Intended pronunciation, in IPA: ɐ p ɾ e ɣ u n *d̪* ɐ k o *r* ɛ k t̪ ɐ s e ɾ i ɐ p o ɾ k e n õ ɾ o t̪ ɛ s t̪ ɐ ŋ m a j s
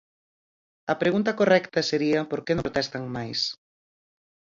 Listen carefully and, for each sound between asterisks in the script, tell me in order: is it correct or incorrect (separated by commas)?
incorrect, correct